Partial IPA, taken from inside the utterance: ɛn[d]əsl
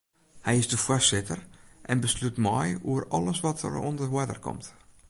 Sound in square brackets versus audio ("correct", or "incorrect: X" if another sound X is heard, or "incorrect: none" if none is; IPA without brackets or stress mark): incorrect: b